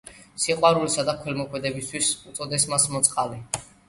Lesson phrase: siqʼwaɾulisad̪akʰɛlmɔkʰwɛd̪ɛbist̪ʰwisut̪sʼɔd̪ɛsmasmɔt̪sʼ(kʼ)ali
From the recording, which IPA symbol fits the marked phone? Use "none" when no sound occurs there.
qʼ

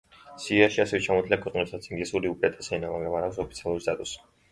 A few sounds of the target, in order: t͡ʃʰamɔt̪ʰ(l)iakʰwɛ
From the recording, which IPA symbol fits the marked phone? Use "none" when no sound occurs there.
l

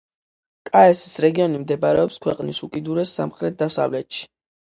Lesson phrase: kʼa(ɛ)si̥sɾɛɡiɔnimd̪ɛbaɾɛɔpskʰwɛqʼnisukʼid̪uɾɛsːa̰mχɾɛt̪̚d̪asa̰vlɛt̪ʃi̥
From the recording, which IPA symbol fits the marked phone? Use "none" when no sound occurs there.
ɛ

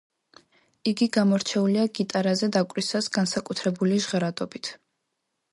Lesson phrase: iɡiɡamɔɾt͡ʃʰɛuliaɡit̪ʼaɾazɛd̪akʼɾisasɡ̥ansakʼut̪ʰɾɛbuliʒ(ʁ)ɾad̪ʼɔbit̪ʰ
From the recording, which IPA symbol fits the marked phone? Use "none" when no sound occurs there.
ʁ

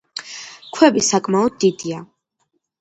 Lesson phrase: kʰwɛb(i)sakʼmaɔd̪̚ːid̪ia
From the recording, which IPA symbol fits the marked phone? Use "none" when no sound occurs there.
i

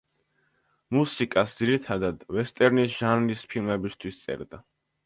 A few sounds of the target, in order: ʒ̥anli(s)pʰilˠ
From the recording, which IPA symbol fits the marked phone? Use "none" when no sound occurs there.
s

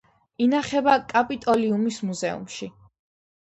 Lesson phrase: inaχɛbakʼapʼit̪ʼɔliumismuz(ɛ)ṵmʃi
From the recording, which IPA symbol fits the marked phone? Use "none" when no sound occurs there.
ɛ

